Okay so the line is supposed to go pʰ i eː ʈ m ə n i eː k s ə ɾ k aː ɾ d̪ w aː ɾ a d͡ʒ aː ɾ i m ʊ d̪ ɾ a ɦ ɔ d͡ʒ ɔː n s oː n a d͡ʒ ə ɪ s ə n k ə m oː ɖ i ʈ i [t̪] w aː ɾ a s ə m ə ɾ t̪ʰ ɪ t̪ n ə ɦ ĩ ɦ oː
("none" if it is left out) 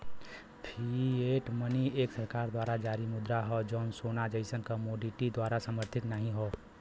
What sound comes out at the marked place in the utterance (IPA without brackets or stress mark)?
d̪